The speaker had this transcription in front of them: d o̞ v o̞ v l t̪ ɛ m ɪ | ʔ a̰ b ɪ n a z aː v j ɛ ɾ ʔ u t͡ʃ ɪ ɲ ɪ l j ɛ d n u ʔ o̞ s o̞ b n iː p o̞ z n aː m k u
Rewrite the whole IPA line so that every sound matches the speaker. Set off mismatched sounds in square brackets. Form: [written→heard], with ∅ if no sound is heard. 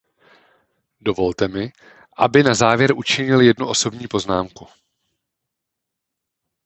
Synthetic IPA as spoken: d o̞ v o̞ [v→∅] l t̪ ɛ m ɪ | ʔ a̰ b ɪ n a z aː v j ɛ ɾ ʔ u t͡ʃ ɪ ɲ ɪ l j ɛ d n u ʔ o̞ s o̞ b [n→ɲ] iː p o̞ z n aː m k u

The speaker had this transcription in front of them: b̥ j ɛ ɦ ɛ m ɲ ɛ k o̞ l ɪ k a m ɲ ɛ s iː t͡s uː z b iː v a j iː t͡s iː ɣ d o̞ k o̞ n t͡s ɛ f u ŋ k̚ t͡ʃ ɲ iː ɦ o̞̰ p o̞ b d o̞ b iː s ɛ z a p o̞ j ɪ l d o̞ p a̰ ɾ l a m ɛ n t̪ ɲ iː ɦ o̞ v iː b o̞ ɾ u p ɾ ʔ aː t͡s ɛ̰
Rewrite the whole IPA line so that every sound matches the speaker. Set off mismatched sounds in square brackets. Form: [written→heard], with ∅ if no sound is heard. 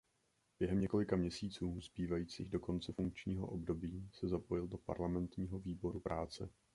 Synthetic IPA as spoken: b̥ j ɛ ɦ ɛ m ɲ ɛ k o̞ l ɪ k a m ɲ ɛ s iː t͡s uː z b iː v a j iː t͡s iː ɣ d o̞ k o̞ n t͡s ɛ f u ŋ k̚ t͡ʃ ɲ iː ɦ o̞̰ [p→ʔ] o̞ b d o̞ b iː s ɛ z a p o̞ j ɪ l d o̞ p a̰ ɾ l a m ɛ n t̪ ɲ iː ɦ o̞ v iː b o̞ ɾ u p ɾ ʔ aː t͡s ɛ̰

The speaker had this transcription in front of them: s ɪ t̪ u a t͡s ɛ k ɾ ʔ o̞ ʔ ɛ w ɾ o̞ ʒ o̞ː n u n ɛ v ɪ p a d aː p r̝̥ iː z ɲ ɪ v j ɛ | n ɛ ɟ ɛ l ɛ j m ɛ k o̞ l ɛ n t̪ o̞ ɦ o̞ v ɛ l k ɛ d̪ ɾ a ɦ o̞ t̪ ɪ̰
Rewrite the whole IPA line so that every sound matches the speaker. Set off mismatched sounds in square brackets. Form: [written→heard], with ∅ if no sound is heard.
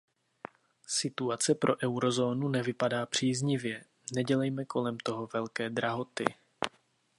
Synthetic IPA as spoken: s ɪ t̪ u a t͡s ɛ [k→p] ɾ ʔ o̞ ʔ ɛ w ɾ o̞ [ʒ→z] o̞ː n u n ɛ v ɪ p a d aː p r̝̥ iː z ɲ ɪ v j ɛ | n ɛ ɟ ɛ l ɛ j m ɛ k o̞ l ɛ [n→m] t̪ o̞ ɦ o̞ v ɛ l k [ɛ→ɛː] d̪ ɾ a ɦ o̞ t̪ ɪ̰

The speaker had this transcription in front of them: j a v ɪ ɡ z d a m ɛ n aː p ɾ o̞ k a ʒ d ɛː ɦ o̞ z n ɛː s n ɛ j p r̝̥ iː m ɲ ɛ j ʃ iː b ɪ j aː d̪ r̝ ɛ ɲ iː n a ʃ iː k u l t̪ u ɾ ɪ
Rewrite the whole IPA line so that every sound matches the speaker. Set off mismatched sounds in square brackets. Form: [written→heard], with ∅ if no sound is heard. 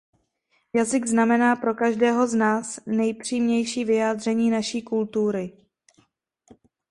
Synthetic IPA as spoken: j a [v→z] ɪ ɡ z [d→n] a m ɛ n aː p ɾ o̞ k a ʒ d ɛː ɦ o̞ z n [ɛː→aː] s n ɛ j p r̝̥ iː m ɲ ɛ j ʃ iː [b→v] ɪ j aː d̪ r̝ ɛ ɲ iː n a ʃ iː k u l t̪ u ɾ ɪ

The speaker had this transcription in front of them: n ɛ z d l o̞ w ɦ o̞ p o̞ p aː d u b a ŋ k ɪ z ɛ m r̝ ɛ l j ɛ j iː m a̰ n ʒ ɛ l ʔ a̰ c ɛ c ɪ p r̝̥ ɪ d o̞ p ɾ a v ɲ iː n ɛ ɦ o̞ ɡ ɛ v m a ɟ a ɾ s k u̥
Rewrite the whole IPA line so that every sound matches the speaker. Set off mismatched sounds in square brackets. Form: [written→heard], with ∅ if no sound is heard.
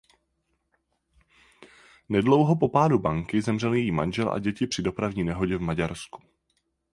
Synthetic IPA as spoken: n ɛ [z→∅] d l o̞ w ɦ o̞ p o̞ p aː d u b a ŋ k ɪ z ɛ m r̝ ɛ l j ɛ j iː m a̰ n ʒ ɛ l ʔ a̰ [c→ɟ] ɛ c ɪ p r̝̥ ɪ d o̞ p ɾ a v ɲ iː n ɛ ɦ o̞ [ɡ→ɟ] ɛ v m a ɟ a ɾ s k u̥

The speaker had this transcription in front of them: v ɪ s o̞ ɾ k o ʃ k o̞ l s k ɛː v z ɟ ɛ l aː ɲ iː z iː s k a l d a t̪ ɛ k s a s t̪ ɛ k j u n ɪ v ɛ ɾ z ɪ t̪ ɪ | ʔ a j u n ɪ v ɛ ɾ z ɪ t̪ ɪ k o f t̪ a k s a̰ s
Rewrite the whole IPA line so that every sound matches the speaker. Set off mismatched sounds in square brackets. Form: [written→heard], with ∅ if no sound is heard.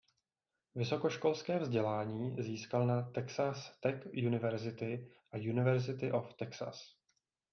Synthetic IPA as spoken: v ɪ s o̞ [ɾ→∅] k o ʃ k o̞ l s k ɛː v z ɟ ɛ l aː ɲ iː z iː s k a l [d→n] a t̪ ɛ k s a s t̪ ɛ k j u n ɪ v ɛ ɾ z ɪ t̪ ɪ | ʔ a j u n ɪ v ɛ ɾ z ɪ t̪ ɪ [k→ʔ] o f t̪ [a→ɛ] k s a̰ s

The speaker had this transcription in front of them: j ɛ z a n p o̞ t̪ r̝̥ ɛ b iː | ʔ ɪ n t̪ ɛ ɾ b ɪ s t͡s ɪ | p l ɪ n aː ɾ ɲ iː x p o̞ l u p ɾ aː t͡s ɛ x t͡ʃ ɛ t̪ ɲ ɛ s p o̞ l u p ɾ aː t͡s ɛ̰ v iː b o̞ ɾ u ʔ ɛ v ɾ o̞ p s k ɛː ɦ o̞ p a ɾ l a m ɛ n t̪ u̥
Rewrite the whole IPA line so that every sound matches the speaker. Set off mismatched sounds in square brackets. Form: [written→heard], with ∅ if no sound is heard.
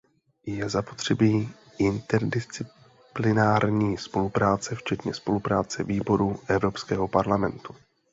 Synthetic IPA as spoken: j ɛ z a [n→∅] p o̞ t̪ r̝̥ ɛ b iː | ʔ ɪ n t̪ ɛ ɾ [b→d] ɪ s t͡s ɪ | p l ɪ n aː ɾ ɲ iː [x→s] p o̞ l u p ɾ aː t͡s ɛ [x→f] t͡ʃ ɛ t̪ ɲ ɛ s p o̞ l u p ɾ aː t͡s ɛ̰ v iː b o̞ ɾ u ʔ ɛ v ɾ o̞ p s k ɛː ɦ o̞ p a ɾ l a m ɛ n t̪ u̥

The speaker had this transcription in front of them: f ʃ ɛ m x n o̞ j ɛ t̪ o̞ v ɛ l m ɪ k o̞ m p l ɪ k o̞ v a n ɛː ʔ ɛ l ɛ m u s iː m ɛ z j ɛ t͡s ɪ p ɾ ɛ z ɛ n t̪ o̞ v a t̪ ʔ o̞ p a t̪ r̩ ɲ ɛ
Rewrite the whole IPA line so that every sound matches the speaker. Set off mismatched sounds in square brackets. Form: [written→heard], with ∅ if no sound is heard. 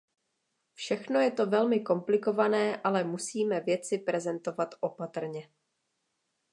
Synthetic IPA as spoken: f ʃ ɛ [m→∅] x n o̞ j ɛ t̪ o̞ v ɛ l m ɪ k o̞ m p l ɪ k o̞ v a n ɛː ʔ [ɛ→a] l ɛ m u s iː m ɛ [z→v] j ɛ t͡s ɪ p ɾ ɛ z ɛ n t̪ o̞ v a t̪ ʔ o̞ p a t̪ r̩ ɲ ɛ

